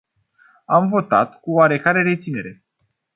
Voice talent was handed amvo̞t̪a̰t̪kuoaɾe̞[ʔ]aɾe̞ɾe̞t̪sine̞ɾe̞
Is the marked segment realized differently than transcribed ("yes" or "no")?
yes